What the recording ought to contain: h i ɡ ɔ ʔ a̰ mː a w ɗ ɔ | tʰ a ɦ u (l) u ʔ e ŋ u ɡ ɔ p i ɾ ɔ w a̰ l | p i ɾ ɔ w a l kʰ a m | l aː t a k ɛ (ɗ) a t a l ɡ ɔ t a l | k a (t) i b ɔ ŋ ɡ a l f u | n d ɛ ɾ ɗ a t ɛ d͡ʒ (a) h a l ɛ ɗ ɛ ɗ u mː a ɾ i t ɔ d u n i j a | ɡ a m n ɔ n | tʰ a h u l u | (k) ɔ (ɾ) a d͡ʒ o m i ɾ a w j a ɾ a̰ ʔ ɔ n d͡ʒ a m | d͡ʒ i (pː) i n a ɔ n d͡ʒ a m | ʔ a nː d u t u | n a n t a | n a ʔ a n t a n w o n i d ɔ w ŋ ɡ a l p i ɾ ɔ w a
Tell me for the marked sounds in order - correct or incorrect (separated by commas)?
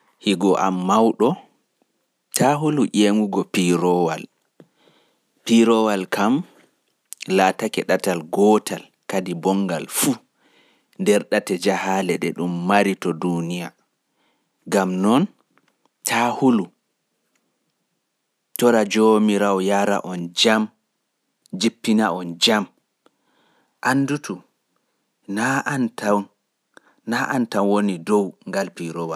correct, correct, incorrect, correct, incorrect, correct, correct